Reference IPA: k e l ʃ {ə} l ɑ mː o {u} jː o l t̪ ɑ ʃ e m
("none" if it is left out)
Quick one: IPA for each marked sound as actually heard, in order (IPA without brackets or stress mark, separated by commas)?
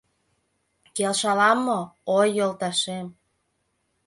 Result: ɑ, o